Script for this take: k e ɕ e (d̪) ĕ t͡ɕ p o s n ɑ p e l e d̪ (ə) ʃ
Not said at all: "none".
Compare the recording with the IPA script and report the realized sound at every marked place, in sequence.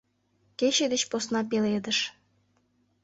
d̪, ə

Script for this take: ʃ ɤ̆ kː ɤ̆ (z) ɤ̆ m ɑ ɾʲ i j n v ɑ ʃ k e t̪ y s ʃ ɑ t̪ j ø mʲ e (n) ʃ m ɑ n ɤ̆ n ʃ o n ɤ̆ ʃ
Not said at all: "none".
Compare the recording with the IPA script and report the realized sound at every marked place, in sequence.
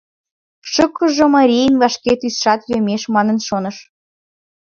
ʒ, none

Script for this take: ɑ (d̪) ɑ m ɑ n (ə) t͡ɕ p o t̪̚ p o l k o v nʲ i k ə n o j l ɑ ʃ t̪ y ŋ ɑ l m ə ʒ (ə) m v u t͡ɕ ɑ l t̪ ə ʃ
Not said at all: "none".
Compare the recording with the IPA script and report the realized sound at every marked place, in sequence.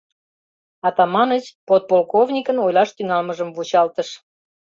t̪, ə, ə

